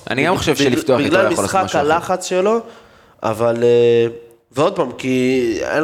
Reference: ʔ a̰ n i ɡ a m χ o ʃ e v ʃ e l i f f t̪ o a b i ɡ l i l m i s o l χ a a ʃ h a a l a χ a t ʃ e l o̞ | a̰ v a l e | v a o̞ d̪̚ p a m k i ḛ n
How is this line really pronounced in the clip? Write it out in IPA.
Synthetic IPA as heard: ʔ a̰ n i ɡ a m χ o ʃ e v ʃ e l i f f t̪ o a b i ɡ l a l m i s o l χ a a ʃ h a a l a χ a t͡s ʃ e l o̞ | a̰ v a l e | v e o̞ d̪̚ p a m k i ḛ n